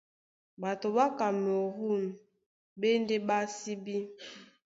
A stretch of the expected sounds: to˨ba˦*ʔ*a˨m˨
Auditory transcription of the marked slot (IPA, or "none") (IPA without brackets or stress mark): k